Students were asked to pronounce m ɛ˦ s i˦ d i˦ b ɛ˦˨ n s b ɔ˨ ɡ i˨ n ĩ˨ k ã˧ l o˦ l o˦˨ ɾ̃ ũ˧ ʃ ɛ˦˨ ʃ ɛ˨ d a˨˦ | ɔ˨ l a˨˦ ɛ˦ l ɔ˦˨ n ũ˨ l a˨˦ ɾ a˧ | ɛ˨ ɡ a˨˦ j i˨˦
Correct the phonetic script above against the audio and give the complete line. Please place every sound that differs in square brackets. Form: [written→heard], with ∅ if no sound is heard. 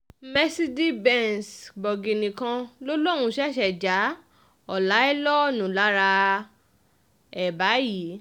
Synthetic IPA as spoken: m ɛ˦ s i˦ d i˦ b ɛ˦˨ n s b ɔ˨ ɡ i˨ n ĩ˨ k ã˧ l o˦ l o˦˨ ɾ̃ ũ˧ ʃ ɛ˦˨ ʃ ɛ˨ [d→d͡ʒ] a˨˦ | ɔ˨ l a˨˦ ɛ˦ l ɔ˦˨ n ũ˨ l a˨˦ ɾ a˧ | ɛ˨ [ɡ→b] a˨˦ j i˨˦